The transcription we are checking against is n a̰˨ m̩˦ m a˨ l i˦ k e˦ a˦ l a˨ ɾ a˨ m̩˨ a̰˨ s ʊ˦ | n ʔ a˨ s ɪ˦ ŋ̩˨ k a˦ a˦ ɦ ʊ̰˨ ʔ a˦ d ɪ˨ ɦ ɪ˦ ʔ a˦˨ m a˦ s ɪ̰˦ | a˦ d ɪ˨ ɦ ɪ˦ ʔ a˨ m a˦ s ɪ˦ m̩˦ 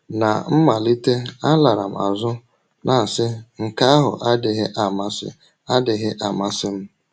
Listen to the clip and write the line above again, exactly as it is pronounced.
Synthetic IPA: n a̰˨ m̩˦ m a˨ l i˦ t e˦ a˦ l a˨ ɾ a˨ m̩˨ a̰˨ z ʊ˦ | n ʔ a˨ s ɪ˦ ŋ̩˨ k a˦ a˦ ɦ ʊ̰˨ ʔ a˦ d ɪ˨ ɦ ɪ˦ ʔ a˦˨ m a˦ s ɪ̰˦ | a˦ d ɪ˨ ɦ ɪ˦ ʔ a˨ m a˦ s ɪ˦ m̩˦